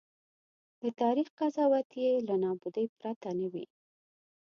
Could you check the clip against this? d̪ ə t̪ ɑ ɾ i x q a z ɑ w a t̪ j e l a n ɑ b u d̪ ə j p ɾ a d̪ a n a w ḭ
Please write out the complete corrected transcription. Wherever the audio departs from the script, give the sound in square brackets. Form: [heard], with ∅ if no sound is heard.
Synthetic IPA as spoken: d̪ ə t̪ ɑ ɾ i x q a z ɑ w a t̪ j e l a n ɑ b u d̪ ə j p ɾ a [t̪] a n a w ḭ